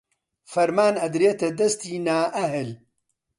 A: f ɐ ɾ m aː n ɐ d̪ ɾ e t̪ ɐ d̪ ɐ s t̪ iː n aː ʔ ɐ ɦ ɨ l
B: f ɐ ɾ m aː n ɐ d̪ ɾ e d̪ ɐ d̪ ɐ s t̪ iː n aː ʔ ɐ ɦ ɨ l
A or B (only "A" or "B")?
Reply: A